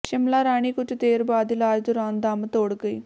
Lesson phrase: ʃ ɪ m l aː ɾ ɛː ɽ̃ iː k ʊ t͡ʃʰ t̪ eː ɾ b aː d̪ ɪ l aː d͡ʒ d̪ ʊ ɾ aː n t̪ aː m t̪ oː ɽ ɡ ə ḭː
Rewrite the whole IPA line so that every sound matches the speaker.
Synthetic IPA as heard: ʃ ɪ m l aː ɾ aː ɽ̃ iː k ʊ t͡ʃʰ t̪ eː ɾ b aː d̪ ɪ l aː d͡ʒ d̪ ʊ ɾ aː n d̪ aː m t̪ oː ɽ ɡ ə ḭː

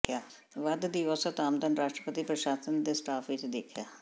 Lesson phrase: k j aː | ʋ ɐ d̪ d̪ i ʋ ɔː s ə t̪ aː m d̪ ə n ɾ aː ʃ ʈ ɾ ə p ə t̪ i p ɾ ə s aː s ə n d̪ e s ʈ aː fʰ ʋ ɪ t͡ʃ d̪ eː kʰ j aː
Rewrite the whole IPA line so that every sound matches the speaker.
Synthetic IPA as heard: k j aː | ʋ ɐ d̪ d̪ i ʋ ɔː s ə t̪ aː m d̪ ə n ɾ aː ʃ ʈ ɾ ə p ə t̪ i p ɾ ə ʃ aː s ə n d̪ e s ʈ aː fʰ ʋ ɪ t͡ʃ d̪ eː kʰ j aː

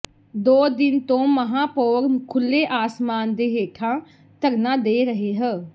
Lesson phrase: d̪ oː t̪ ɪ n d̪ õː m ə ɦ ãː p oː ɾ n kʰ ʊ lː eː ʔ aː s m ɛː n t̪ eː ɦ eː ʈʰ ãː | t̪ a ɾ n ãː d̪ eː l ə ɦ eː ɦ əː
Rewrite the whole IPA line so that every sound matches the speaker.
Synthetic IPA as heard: d̪ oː d̪ ɪ n t̪ õː m ə ɦ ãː p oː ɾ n kʰ ʊ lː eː ʔ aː s m aː n d̪ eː ɦ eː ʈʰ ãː | t̪ ə ɾ n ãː d̪ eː ɾ ə ɦ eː ɦ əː

